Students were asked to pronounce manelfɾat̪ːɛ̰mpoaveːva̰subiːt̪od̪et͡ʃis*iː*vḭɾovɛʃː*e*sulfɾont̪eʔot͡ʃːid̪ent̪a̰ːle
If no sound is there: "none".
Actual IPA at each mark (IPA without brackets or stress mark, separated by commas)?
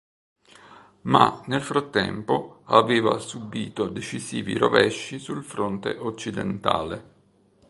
iː, i